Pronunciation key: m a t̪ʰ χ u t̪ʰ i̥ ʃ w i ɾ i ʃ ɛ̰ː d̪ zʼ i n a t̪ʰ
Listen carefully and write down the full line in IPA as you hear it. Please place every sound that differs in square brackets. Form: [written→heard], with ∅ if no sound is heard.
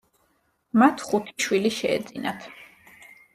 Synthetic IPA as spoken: m a t̪ʰ χ u t̪ʰ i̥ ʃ w i [ɾ→l] i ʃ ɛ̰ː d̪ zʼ i n a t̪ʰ